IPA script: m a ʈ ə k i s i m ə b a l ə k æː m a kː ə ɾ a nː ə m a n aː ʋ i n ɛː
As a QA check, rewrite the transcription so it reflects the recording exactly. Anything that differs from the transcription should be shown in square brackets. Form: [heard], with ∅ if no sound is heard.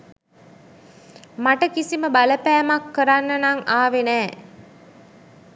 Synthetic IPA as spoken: m a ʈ ə k i s i m ə b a l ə [p] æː m a kː ə ɾ a nː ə [n] a [ŋ] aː ʋ [e] n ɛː